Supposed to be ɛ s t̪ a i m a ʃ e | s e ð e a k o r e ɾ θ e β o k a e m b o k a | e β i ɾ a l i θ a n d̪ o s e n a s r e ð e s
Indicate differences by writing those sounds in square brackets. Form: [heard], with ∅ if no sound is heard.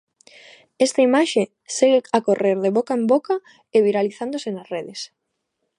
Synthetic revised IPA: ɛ s t̪ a i m a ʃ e | s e [ɣ] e a k o r e ɾ [ð] e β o k a e m b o k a | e β i ɾ a l i θ a n d̪ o s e n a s r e ð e s